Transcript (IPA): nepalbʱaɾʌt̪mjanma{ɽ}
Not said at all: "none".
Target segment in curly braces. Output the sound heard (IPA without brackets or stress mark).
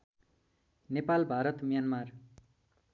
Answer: r